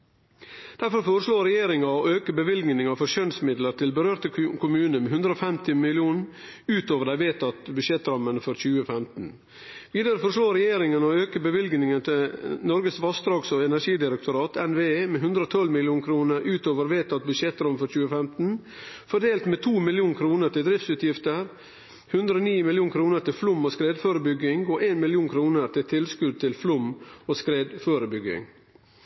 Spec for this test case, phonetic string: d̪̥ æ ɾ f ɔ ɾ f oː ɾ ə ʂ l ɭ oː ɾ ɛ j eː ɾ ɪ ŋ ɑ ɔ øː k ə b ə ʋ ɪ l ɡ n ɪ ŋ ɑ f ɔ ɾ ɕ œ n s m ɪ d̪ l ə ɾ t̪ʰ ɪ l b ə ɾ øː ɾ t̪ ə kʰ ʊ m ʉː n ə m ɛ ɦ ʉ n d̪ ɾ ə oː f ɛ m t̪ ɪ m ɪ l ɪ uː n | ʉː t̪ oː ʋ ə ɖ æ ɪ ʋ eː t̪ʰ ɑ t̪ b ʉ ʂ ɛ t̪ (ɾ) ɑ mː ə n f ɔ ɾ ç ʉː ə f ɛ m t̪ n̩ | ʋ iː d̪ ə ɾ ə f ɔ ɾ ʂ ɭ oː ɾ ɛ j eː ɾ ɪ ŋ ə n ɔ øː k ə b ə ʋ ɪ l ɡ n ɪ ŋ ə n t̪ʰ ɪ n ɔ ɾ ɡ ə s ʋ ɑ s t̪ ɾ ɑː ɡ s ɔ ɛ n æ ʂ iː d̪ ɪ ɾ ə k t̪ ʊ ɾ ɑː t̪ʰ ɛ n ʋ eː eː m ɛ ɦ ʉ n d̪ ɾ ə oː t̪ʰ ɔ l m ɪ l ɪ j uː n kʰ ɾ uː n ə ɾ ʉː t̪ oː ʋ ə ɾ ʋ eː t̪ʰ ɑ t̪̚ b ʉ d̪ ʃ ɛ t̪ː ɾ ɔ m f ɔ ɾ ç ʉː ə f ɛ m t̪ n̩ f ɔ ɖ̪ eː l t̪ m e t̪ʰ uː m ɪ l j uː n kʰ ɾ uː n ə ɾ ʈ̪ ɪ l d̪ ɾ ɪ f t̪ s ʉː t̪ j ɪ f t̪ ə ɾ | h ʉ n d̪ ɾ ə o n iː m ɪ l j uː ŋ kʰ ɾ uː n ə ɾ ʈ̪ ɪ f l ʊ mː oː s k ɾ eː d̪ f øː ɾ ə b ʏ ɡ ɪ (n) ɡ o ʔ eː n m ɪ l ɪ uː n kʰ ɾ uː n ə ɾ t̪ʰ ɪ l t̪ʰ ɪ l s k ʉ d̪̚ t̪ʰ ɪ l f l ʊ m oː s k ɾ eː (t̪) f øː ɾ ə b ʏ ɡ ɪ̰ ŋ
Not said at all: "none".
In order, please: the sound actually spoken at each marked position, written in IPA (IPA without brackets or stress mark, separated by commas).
ɾ, ŋ, d̪